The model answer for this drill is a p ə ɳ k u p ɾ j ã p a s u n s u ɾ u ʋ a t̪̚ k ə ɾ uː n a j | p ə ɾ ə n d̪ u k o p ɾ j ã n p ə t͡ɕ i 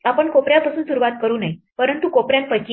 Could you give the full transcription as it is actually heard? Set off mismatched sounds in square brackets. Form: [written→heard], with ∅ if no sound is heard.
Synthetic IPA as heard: a p ə ɳ k [u→o] p ɾ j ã p a s [u→uː] n s u ɾ u ʋ a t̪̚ k ə ɾ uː n a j | p ə ɾ ə n [d̪→t̪] u k o p ɾ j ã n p ə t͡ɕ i